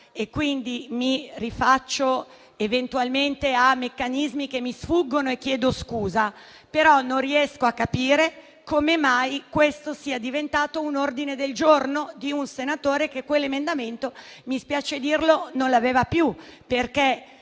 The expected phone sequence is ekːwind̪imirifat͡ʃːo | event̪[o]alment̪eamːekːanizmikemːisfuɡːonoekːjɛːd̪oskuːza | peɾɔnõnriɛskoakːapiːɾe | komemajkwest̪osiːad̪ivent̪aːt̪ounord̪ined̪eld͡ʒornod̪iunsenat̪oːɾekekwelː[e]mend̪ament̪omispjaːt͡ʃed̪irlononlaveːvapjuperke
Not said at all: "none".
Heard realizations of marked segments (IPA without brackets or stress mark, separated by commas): u, e